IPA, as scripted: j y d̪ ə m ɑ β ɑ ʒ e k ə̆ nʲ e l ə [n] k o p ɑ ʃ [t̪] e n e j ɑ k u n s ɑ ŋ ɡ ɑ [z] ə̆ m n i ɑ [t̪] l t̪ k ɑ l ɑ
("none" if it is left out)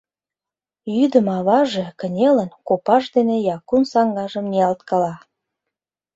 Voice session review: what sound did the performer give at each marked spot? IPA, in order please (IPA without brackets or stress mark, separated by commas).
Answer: n, d̪, ʒ, none